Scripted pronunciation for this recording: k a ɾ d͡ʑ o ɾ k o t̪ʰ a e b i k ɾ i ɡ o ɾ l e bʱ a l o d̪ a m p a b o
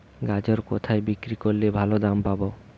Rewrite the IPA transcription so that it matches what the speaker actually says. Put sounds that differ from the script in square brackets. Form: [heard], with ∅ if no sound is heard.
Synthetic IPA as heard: [ɡ] a [∅] d͡ʑ o ɾ k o t̪ʰ a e b i k ɾ i [k] o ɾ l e bʱ a l o d̪ a m p a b o